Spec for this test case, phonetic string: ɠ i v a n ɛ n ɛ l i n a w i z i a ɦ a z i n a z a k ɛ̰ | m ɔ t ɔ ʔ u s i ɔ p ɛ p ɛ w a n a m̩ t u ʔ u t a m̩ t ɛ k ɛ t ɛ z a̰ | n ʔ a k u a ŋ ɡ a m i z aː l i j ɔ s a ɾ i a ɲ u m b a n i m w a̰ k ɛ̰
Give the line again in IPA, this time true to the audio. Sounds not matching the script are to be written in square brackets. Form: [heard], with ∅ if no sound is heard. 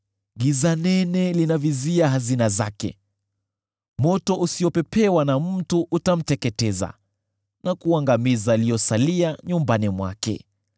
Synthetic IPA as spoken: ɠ i [z] a n ɛ n ɛ l i n a [v] i z i a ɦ a z i n a z a k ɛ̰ | m ɔ t ɔ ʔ u s i ɔ p ɛ p ɛ w a n a m̩ t u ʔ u t a m̩ t ɛ k ɛ t ɛ z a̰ | n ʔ a k u a ŋ ɡ a m i z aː l i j ɔ s a [l] i a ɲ u m b a n i m w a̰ k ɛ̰